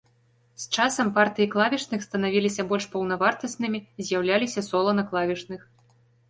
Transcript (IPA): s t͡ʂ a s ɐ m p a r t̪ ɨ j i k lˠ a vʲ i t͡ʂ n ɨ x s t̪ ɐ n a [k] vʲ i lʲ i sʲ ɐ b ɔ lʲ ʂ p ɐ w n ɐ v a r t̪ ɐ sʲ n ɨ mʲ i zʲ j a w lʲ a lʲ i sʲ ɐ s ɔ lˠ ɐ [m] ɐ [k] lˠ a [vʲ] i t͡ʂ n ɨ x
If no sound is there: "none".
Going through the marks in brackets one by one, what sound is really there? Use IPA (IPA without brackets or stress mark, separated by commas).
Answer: none, n, k, vʲ